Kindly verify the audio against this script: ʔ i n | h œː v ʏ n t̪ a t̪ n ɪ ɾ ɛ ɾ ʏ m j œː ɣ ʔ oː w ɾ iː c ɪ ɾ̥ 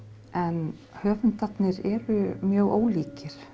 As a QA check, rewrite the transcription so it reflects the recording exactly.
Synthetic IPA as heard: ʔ ɛ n | h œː v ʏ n t̪ a t̪ n ɪ ɾ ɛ ɾ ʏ m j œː ɣ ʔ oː w l iː c ɪ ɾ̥